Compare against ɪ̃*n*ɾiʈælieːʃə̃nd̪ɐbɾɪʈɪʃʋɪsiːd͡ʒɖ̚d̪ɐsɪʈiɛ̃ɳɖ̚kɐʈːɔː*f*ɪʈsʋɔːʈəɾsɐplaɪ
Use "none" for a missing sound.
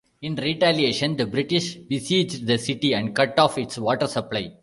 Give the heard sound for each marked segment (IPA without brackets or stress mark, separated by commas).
n, f